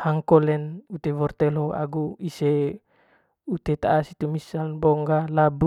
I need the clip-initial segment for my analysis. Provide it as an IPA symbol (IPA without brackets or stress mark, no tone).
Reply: h